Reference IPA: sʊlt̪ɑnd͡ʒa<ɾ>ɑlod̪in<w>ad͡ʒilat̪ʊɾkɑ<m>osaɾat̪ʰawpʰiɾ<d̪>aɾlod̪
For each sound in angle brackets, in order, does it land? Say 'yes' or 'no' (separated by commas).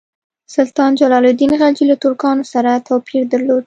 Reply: no, no, no, yes